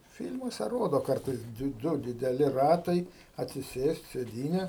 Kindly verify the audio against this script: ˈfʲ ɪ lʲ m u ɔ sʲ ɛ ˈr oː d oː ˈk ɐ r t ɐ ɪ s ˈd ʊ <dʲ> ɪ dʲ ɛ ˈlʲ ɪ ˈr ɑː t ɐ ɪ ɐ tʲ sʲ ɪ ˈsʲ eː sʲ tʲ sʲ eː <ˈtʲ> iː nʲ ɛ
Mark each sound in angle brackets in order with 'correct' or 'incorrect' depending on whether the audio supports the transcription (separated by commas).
correct, incorrect